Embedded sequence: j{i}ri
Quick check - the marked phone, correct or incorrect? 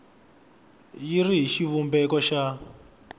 correct